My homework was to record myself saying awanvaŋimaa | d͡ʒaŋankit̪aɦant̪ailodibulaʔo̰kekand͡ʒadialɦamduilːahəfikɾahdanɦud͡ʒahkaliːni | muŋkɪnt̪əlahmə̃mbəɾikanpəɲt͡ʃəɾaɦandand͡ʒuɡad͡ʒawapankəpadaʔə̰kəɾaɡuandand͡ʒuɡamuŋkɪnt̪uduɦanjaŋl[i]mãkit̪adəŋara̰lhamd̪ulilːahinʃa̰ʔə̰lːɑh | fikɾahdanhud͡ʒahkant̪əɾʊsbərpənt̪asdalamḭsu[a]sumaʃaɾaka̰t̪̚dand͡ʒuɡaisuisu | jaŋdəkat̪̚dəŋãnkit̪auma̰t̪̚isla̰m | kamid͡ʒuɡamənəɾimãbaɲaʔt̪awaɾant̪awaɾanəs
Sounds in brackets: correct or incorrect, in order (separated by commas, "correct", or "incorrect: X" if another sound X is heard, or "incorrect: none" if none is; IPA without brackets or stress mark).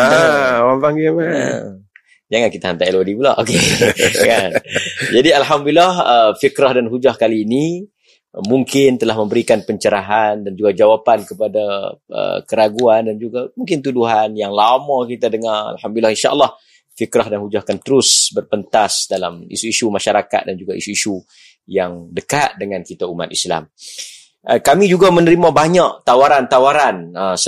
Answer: incorrect: a, incorrect: i